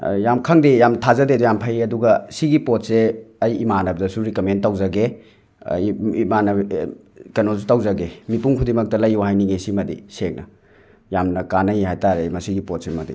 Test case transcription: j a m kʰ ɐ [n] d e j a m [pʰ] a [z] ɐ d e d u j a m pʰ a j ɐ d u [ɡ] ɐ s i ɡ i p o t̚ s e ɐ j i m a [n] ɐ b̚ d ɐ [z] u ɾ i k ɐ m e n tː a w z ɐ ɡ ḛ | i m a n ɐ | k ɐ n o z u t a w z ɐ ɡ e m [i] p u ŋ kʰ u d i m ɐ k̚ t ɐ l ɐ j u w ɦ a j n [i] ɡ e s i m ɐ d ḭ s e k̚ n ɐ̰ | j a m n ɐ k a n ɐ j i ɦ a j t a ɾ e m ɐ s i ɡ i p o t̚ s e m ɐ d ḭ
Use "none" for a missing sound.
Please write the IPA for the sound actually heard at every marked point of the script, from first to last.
ŋ, tʰ, z, ɡ, n, s, i, i

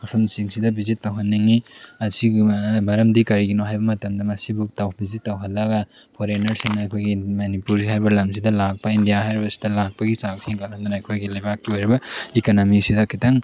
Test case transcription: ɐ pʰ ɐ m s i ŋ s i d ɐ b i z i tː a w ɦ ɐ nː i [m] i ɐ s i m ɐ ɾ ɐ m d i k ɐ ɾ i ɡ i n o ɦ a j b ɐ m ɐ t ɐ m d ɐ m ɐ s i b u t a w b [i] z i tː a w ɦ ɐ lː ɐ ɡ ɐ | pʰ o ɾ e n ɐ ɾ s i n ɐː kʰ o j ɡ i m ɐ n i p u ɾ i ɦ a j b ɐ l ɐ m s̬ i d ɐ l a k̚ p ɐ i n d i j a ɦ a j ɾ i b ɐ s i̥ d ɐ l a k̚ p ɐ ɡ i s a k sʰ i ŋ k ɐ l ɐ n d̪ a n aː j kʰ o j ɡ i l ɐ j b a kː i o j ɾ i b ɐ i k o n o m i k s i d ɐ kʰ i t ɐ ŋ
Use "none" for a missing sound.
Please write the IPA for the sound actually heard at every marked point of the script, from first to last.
ŋ, i

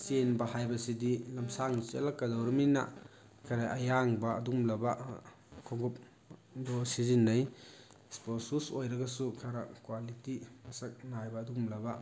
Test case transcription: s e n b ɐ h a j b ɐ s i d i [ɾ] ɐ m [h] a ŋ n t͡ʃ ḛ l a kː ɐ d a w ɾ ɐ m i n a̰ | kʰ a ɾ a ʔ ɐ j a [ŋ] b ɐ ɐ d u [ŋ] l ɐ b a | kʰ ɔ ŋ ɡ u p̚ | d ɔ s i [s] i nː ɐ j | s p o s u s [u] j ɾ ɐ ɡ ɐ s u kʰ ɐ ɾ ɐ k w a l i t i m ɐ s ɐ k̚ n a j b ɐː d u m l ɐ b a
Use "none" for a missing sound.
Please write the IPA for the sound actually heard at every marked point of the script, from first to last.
l, s, ŋ, m, z, o

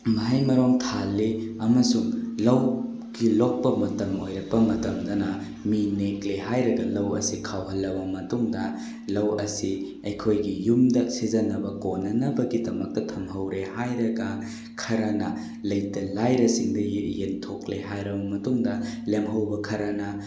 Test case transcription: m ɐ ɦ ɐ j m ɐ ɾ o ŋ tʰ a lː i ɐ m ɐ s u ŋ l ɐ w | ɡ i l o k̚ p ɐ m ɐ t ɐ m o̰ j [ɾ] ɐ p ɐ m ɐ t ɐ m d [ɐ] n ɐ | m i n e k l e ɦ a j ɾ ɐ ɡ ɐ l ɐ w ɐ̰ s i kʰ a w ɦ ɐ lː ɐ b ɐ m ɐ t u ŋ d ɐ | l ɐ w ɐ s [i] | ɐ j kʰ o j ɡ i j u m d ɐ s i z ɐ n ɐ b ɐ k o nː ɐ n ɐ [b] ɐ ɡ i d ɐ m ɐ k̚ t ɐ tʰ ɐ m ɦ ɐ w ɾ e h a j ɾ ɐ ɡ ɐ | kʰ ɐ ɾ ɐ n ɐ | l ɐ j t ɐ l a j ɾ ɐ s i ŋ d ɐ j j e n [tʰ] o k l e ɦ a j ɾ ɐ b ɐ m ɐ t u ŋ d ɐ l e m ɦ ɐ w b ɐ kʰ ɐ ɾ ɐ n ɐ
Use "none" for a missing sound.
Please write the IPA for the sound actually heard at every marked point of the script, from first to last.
ɾ, ɐ, i, b, tʰ

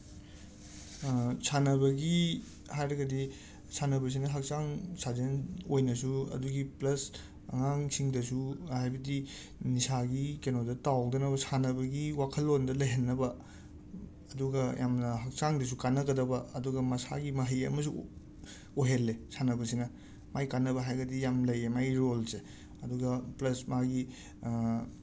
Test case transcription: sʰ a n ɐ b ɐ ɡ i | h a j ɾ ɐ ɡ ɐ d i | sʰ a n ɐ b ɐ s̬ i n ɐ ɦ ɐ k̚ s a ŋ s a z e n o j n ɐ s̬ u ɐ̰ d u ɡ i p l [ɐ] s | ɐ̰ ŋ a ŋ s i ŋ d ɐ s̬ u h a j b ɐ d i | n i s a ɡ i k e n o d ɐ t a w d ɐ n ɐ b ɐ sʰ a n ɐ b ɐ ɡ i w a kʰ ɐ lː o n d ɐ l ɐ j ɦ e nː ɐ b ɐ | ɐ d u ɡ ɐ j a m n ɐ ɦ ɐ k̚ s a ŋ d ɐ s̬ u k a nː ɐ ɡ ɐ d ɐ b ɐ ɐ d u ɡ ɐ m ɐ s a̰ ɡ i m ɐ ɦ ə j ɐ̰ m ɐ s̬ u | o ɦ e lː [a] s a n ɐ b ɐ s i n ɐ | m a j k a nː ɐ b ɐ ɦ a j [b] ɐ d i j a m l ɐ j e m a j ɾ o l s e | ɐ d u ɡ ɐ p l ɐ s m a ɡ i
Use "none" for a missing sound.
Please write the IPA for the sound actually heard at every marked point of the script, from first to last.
ɐ, e, ɡ

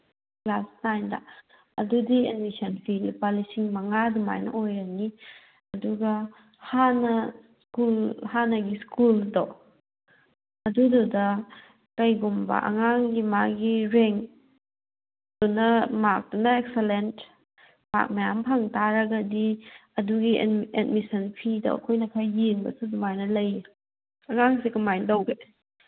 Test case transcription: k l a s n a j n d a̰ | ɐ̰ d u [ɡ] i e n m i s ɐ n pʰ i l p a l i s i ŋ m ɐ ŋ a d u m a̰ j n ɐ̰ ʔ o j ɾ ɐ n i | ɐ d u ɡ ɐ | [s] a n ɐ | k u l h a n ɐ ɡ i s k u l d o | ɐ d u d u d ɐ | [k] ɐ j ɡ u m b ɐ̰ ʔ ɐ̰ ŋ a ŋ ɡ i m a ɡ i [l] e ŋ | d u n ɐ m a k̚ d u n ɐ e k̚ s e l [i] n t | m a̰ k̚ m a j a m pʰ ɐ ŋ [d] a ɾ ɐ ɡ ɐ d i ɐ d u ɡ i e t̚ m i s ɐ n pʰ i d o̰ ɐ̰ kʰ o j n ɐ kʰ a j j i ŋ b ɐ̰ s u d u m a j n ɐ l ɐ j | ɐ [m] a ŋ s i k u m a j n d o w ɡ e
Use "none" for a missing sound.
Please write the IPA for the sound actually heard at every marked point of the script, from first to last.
d, h, k, ɾ, e, t, ŋ

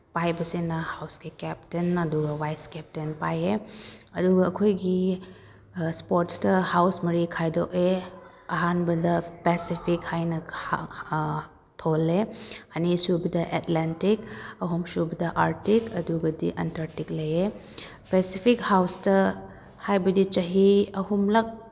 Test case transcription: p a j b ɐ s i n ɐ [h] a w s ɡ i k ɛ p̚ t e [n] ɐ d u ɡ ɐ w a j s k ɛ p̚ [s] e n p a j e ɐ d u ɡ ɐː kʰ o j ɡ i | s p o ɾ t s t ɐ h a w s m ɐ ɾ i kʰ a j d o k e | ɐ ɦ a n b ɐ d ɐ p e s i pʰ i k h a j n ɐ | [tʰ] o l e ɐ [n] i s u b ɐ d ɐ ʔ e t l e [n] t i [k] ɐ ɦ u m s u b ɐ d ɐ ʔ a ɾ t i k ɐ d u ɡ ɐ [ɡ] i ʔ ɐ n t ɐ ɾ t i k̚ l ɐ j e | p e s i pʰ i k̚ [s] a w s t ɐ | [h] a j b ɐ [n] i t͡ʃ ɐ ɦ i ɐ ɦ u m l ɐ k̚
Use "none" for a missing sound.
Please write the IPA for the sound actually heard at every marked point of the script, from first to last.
h, n, t, tʰ, n, n, k, d, h, h, d

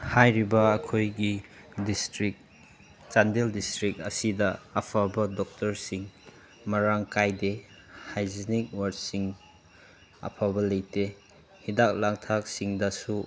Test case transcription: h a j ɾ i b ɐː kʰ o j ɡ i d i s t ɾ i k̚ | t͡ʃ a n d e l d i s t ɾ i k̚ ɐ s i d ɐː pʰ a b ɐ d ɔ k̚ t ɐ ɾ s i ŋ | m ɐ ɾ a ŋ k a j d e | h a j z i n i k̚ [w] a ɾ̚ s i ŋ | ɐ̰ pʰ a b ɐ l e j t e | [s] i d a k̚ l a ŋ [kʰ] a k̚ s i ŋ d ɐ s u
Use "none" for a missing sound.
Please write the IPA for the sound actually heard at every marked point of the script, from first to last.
w, h, tʰ

